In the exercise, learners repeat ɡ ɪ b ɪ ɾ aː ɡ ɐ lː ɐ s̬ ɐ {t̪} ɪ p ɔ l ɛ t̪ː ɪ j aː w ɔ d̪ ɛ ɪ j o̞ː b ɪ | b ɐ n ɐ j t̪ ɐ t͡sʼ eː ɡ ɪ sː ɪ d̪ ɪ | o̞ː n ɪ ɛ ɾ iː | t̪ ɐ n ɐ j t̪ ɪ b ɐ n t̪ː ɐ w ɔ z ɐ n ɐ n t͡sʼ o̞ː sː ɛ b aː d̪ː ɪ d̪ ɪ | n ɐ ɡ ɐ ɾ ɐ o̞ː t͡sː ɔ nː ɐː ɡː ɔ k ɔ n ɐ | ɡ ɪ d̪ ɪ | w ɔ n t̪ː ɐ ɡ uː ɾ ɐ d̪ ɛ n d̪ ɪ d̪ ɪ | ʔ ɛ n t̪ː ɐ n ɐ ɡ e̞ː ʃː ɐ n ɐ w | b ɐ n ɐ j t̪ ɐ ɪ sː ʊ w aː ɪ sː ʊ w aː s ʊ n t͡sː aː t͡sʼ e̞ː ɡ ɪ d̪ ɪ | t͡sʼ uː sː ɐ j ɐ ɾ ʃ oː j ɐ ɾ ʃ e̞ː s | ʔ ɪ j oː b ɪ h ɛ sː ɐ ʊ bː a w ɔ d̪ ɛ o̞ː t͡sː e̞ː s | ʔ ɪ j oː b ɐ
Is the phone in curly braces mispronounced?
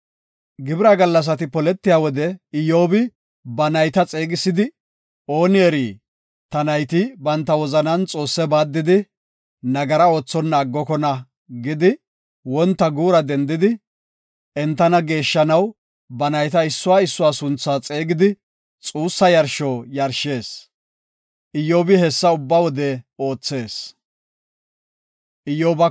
no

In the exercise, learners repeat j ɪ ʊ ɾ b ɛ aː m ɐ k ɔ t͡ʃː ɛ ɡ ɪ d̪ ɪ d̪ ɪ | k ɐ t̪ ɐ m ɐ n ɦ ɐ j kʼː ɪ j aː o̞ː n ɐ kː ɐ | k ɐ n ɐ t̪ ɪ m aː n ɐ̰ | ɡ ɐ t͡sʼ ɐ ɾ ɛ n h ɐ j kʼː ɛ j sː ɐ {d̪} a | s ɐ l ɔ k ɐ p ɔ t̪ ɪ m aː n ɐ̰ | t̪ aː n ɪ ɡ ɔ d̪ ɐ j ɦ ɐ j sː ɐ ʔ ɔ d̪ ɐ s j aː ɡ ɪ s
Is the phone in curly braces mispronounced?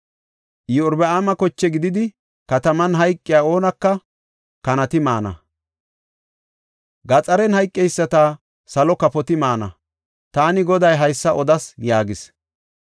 yes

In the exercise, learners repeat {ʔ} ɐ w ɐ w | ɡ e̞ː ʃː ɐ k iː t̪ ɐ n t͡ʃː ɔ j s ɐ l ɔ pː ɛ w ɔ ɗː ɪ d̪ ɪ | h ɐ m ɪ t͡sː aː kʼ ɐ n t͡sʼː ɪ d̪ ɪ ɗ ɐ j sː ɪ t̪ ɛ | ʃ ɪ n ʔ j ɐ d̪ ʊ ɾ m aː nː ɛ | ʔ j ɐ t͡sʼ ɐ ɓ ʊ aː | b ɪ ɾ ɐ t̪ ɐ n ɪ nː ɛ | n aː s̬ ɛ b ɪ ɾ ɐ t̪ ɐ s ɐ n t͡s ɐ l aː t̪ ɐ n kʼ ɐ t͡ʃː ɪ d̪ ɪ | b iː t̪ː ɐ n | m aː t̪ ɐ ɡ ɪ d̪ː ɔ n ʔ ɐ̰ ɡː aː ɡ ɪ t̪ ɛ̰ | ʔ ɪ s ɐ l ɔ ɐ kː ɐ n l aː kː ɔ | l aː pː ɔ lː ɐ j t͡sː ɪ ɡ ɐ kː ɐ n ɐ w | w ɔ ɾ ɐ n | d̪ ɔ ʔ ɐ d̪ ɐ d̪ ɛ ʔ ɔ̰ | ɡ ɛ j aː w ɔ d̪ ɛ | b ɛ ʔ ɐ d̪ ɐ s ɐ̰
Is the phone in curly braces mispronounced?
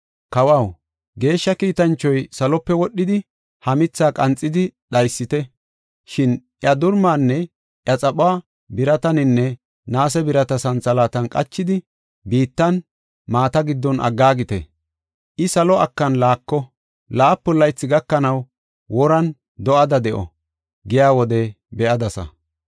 yes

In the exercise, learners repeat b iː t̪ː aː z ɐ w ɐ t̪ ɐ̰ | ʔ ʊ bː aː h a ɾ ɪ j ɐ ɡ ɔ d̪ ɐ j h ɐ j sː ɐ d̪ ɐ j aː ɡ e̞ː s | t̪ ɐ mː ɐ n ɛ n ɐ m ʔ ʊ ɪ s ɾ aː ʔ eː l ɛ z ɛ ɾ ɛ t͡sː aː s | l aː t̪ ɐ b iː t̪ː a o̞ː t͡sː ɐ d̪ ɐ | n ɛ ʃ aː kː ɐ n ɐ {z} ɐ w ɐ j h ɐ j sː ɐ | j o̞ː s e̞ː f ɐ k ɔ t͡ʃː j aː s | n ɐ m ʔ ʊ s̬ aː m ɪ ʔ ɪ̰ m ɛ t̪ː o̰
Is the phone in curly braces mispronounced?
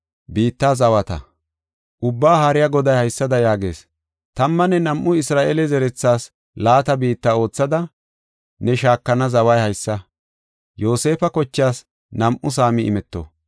no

